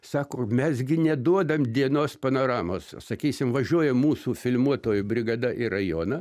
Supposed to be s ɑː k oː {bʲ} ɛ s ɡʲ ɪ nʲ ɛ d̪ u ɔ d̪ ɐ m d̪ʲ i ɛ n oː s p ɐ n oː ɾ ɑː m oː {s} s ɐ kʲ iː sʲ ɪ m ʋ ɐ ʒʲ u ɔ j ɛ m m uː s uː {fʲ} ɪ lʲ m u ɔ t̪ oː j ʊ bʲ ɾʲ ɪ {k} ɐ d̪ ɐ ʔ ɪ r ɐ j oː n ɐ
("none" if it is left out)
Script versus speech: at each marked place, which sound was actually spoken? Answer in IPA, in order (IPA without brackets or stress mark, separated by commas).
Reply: mʲ, s, fʲ, ɡ